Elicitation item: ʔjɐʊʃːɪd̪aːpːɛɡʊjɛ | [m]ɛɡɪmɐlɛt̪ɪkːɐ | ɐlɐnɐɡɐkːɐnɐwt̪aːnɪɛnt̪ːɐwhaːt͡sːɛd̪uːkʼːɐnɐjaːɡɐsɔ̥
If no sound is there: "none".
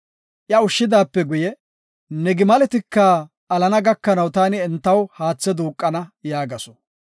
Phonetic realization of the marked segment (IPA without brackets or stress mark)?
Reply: n